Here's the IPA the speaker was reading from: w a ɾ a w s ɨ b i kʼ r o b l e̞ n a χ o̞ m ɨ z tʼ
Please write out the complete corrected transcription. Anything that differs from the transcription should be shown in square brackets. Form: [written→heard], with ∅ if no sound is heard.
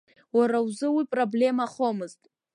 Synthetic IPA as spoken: w a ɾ a w [s→z] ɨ [b→w] i [kʼ→pʼ] r o b l e̞ [n→m] a χ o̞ m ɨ z tʼ